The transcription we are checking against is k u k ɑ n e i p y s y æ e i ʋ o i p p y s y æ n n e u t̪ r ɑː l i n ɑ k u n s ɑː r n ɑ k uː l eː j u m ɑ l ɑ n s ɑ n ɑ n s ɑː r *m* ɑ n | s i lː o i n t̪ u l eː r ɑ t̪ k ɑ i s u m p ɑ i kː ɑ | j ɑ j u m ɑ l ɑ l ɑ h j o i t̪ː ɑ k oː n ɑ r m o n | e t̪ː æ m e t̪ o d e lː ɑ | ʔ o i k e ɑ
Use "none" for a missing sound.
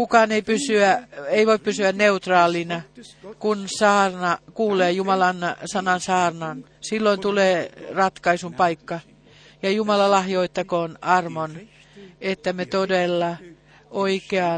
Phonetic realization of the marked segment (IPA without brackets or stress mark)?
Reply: n